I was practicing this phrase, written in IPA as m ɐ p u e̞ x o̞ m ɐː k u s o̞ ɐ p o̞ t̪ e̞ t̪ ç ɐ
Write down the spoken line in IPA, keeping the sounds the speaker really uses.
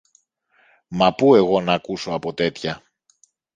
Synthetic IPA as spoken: m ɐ p u e̞ ɣ o̞ n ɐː k u s o̞ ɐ p o̞ t̪ e̞ t̪ ç ɐ